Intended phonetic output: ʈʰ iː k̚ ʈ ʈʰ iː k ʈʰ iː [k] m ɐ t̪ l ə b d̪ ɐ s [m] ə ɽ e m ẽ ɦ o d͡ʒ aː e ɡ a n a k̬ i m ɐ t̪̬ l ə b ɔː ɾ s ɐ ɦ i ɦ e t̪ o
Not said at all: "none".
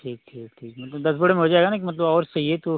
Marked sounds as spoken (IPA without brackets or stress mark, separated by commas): k, b